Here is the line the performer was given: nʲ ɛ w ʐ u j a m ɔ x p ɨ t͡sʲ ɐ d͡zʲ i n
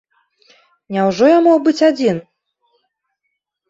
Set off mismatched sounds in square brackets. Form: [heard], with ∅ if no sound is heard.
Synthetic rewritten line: nʲ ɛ w ʐ [ɔ] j a m ɔ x [b] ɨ t͡sʲ [a] d͡zʲ i n